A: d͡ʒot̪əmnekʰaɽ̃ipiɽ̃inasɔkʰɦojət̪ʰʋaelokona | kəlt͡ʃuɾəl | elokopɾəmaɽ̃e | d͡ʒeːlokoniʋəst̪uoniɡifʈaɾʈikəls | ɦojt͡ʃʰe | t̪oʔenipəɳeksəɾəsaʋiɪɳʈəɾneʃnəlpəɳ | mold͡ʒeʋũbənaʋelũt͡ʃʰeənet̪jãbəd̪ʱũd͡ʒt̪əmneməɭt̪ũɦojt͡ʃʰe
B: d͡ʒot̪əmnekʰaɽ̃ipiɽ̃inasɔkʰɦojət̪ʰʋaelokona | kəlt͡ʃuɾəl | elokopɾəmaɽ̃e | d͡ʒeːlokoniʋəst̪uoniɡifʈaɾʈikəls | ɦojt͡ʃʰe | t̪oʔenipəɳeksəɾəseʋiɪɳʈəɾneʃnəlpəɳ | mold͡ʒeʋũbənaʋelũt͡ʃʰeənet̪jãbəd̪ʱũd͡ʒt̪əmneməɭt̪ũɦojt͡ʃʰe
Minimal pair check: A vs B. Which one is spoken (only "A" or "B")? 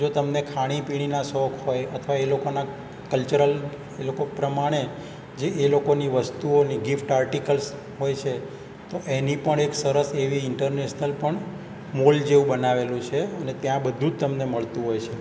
B